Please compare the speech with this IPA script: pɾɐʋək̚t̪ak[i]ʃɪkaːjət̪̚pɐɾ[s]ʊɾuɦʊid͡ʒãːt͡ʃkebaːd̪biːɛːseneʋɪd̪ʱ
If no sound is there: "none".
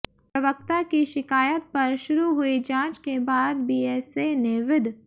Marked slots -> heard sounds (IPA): i, ʃ

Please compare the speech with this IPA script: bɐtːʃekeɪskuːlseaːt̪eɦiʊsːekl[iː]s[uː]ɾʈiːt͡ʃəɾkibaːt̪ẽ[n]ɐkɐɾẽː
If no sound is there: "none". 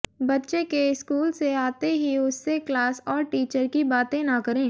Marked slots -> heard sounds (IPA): aː, ɔː, n

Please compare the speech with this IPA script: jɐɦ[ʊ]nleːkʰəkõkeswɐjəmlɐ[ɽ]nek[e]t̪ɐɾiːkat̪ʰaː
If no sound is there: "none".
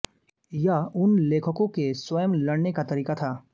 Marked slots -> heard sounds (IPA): ʊ, ɽ, a

